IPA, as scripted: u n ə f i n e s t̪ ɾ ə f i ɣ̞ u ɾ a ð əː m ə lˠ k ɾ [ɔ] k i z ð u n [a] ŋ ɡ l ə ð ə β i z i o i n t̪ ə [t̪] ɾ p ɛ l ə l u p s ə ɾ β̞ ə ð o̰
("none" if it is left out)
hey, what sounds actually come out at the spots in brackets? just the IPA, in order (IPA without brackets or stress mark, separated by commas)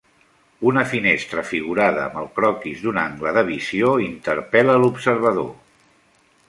ɔ, a, none